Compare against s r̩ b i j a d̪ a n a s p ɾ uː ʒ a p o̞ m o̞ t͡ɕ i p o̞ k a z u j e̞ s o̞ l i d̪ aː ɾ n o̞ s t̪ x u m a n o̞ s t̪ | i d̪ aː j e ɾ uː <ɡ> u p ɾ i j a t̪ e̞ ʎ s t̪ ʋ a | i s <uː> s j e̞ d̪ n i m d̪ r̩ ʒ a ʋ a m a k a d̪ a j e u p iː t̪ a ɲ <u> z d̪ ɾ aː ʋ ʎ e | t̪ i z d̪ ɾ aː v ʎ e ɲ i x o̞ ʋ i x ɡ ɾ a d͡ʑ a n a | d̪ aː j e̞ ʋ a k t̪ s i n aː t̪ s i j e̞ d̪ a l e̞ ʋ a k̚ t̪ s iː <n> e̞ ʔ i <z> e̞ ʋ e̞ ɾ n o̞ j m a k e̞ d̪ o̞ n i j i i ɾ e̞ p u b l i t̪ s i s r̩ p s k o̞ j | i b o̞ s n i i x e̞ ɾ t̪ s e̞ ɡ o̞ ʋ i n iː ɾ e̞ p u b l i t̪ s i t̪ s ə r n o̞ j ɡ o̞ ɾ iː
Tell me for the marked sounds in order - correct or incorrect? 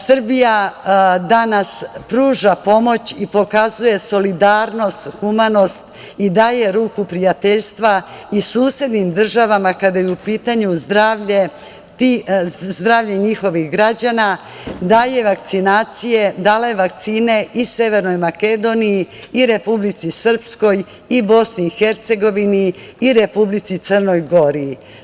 incorrect: k, correct, correct, correct, incorrect: s

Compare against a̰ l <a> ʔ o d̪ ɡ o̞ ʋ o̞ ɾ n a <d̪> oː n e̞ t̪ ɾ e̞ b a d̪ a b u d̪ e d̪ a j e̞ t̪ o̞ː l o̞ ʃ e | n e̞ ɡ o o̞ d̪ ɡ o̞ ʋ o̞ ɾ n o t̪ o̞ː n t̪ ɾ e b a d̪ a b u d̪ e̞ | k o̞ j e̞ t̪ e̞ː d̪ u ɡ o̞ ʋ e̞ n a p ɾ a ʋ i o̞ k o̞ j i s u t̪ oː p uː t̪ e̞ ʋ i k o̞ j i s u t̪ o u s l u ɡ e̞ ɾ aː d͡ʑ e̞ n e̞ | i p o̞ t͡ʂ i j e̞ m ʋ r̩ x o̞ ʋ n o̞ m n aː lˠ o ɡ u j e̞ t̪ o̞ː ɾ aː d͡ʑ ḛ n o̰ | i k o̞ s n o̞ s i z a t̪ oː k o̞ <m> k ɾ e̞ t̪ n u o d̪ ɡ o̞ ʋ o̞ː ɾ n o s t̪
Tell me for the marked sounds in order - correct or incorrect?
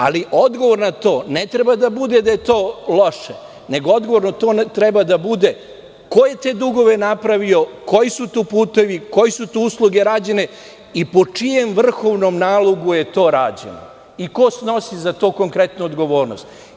incorrect: i, incorrect: t̪, incorrect: ŋ

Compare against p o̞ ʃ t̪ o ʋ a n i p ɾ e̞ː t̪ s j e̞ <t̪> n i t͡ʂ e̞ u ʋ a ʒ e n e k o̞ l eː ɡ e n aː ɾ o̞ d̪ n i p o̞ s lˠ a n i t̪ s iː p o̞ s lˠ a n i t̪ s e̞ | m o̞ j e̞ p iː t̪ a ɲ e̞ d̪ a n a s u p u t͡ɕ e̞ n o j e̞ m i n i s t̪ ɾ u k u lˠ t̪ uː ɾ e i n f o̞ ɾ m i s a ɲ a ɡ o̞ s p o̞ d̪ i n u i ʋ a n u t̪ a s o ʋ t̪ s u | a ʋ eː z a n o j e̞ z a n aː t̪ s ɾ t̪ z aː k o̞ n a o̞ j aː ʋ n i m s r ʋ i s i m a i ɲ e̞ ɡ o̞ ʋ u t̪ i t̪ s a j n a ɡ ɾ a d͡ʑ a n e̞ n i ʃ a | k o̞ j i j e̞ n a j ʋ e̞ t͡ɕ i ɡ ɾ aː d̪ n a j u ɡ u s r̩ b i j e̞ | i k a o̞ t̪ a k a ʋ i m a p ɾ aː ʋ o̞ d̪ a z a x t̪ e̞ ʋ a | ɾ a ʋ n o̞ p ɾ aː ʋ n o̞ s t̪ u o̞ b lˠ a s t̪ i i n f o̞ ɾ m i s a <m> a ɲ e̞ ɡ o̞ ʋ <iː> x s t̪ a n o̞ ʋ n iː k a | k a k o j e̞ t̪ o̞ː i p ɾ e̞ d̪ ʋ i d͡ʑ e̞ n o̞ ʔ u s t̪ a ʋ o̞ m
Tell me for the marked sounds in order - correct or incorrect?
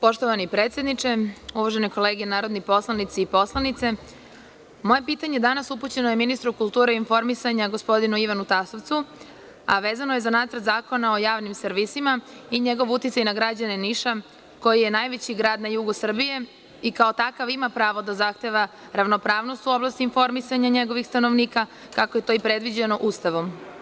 incorrect: d̪, incorrect: ɲ, incorrect: i

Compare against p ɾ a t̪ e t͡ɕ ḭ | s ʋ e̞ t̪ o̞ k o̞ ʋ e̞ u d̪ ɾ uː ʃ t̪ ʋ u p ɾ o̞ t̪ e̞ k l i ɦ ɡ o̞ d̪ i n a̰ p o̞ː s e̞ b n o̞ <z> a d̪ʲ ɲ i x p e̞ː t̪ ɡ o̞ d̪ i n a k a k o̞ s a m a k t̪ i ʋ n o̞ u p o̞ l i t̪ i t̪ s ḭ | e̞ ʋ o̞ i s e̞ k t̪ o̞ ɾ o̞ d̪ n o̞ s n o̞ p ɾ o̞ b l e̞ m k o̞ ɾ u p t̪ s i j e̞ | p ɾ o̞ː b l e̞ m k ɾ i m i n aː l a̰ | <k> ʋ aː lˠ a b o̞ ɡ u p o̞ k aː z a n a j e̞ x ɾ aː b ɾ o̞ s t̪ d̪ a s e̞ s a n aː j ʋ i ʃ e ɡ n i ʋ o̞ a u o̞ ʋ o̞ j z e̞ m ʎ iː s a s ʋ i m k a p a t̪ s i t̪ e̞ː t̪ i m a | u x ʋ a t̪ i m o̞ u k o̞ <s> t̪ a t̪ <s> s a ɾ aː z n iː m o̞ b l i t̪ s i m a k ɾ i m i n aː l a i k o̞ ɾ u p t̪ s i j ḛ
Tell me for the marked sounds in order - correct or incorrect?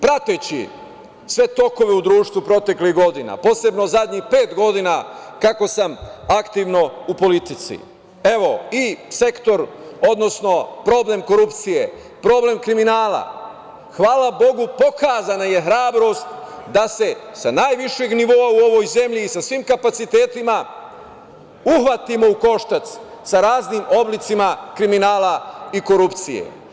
correct, incorrect: x, incorrect: ʃ, correct

